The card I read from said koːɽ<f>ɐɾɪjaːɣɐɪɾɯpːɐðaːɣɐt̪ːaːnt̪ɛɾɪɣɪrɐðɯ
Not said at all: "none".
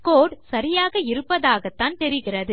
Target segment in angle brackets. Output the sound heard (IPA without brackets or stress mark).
s